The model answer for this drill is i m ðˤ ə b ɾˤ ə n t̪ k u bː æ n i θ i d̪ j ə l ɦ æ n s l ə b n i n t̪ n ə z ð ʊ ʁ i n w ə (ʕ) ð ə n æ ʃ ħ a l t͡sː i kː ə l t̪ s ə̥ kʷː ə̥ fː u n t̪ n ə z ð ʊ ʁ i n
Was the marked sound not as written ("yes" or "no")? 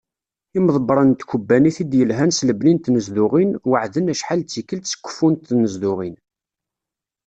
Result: no